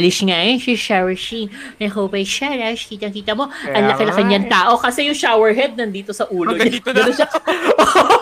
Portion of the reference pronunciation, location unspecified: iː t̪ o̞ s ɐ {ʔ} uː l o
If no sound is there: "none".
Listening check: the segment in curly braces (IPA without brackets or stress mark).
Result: ʔ